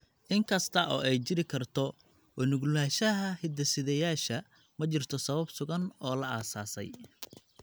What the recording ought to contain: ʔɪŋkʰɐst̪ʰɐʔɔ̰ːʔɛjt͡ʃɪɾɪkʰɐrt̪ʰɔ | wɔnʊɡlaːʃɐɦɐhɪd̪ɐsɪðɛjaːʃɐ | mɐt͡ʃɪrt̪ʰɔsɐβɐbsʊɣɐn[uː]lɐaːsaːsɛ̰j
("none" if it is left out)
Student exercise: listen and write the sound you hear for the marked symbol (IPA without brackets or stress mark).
ɔː